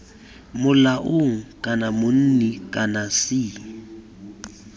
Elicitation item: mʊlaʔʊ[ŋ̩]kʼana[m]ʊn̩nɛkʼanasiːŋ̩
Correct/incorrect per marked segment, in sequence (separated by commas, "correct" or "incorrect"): correct, correct